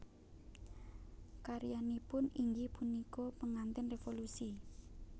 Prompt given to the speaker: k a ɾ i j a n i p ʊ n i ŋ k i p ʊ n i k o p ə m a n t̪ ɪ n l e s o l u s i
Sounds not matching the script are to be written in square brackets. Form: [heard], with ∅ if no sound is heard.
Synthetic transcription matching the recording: k a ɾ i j a n i p ʊ n i ŋ [ɡ] i p [u] n i k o p ə [ŋ] a n t̪ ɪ n [r] e [f] o l u s i